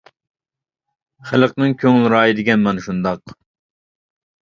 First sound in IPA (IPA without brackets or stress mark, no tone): χ